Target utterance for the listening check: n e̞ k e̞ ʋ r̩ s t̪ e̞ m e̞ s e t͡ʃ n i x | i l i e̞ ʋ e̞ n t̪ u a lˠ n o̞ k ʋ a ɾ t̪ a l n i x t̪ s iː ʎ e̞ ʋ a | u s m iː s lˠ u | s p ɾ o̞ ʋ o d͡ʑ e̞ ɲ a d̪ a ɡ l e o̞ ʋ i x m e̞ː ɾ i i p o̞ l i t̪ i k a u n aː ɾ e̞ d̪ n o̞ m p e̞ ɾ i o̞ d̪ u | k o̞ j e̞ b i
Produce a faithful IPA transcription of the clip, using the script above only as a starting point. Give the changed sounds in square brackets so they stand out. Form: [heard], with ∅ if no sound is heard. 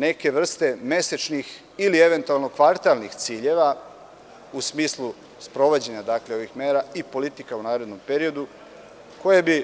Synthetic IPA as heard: n e̞ k e̞ ʋ r̩ s t̪ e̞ m e̞ s e t͡ʃ n i x | i l i e̞ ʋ e̞ n t̪ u a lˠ n o̞ k ʋ a ɾ t̪ a l n i x t̪ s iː ʎ e̞ ʋ a | u s m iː s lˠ u | s p ɾ o̞ ʋ o d͡ʑ e̞ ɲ a d̪ a [k] l e o̞ ʋ i x m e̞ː ɾ [a] i p o̞ l i t̪ i k a u n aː ɾ e̞ d̪ n o̞ m p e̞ ɾ i o̞ d̪ u | k o̞ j e̞ b i